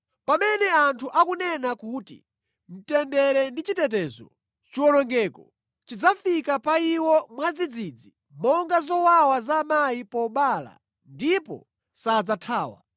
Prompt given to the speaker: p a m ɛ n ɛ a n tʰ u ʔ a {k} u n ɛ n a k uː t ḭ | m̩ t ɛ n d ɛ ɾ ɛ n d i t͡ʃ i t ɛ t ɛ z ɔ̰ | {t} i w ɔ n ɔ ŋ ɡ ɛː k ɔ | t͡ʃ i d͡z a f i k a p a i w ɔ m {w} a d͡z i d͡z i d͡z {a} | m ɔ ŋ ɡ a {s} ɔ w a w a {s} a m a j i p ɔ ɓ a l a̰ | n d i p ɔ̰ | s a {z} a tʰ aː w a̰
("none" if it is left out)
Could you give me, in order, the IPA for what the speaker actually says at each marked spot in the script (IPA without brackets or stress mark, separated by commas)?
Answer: k, t͡ʃ, w, i, z, z, d͡z